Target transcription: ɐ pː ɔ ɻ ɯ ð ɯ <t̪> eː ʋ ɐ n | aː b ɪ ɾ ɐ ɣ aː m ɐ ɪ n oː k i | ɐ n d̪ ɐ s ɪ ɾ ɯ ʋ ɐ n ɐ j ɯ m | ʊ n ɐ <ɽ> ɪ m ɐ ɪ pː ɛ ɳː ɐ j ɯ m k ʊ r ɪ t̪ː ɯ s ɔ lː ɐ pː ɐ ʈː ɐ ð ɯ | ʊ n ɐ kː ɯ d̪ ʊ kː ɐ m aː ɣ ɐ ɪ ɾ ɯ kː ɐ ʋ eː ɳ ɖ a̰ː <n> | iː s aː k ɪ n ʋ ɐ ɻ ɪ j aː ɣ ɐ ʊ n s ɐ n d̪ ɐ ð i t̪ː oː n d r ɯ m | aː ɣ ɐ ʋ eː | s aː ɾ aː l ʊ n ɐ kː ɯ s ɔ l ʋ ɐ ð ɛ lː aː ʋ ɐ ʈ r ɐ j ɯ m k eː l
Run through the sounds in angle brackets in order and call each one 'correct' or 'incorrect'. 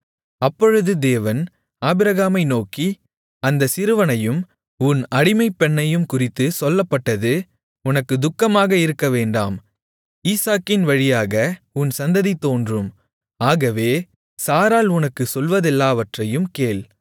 incorrect, correct, incorrect

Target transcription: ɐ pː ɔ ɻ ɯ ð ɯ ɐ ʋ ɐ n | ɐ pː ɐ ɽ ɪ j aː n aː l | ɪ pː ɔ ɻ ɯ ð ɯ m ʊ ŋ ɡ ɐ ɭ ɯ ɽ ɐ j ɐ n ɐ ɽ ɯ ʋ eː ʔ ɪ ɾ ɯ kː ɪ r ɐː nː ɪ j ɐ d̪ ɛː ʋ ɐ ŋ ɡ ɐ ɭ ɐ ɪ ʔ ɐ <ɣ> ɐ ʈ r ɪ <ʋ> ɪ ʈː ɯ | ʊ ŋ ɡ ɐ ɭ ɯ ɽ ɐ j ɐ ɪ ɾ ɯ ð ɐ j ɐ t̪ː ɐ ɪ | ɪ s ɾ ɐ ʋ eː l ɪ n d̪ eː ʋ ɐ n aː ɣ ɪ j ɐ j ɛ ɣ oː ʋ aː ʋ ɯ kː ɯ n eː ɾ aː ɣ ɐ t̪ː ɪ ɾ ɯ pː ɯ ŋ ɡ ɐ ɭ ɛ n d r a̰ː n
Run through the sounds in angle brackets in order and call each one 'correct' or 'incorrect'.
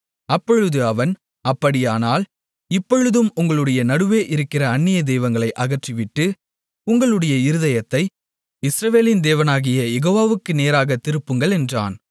correct, correct

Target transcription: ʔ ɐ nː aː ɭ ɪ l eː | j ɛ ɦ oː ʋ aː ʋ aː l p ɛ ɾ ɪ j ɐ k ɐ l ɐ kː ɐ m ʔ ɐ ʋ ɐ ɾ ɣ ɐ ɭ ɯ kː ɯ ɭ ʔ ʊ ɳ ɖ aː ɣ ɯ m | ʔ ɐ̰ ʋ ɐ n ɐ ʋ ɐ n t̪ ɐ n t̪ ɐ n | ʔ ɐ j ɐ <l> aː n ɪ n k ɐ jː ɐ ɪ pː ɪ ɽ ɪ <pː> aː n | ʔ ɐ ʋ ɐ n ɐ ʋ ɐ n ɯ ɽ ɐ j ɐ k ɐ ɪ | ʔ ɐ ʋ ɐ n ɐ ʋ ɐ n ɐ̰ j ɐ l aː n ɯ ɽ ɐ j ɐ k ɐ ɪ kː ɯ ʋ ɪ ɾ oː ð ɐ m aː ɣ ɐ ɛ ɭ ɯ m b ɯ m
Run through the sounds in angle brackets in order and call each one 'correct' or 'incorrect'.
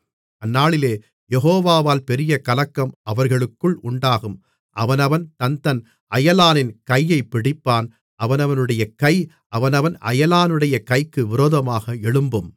correct, correct

